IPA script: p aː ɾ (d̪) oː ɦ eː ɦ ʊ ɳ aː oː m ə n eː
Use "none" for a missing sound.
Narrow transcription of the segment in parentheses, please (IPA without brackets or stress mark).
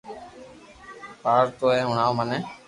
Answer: t̪